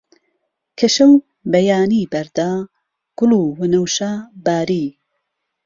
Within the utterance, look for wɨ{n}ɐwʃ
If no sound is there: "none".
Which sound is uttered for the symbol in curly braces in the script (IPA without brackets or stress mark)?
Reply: n